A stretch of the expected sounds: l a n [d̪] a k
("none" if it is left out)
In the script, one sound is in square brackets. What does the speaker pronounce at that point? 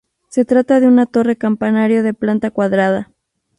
t̪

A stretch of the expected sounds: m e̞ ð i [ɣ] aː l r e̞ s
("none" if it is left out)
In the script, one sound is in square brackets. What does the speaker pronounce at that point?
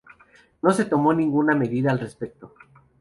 ð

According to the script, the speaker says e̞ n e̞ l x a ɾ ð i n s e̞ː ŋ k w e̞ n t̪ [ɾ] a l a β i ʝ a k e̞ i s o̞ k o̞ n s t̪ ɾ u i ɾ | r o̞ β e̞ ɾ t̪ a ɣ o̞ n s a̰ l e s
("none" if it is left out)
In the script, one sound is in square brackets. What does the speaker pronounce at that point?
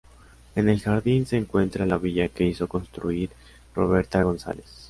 ɾ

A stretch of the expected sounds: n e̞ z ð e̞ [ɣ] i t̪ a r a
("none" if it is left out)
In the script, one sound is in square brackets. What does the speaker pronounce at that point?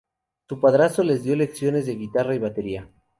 ɣ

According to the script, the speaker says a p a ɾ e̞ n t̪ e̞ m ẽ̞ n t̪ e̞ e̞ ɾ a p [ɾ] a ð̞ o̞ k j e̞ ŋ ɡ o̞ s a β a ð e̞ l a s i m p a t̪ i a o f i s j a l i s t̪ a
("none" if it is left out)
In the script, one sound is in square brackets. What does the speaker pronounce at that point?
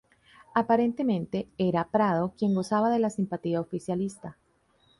ɾ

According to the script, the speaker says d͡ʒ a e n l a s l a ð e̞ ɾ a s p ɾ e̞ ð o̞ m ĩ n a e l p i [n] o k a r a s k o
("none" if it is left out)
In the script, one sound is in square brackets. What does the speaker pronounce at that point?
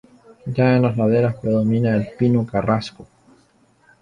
n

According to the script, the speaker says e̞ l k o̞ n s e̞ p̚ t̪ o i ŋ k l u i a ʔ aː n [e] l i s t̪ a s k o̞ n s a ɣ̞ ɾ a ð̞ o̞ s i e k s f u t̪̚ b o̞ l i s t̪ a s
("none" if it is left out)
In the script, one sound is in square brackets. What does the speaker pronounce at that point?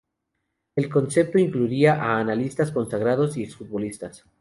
a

